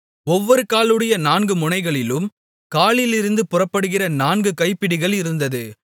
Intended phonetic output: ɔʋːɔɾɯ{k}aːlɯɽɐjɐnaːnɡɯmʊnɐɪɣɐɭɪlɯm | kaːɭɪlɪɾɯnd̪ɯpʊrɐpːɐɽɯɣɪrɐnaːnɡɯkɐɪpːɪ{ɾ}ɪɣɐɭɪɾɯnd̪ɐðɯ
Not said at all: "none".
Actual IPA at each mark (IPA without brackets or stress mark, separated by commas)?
k, ɽ